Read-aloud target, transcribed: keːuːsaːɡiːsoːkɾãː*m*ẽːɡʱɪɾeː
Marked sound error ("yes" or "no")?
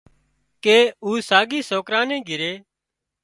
yes